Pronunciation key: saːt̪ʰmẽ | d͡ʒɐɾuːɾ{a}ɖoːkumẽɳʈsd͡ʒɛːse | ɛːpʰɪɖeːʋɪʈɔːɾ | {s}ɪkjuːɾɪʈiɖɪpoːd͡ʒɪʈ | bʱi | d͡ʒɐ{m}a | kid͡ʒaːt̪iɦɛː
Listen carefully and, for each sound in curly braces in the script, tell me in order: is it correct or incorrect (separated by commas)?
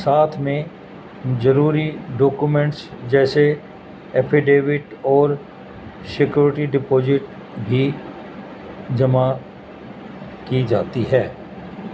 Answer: incorrect, correct, correct